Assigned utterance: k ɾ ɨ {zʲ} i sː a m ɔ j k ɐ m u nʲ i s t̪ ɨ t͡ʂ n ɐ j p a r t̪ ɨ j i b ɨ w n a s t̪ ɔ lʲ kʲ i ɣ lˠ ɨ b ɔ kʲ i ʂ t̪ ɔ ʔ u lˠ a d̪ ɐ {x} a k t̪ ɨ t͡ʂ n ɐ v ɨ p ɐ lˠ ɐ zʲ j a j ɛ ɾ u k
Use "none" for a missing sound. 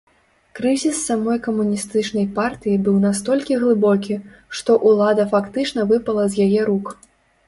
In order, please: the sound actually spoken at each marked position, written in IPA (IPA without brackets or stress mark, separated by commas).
zʲ, f